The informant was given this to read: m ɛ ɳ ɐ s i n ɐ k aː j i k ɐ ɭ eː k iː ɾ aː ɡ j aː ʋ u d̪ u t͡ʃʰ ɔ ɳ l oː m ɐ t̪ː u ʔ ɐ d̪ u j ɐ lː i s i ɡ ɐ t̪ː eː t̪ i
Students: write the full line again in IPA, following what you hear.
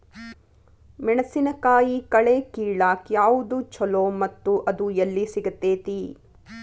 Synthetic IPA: m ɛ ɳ ɐ s i n ɐ k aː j i k ɐ ɭ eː k iː ɭ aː k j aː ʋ u d̪ u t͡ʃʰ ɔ l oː m ɐ t̪ː u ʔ ɐ d̪ u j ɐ lː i s i ɡ ɐ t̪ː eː t̪ i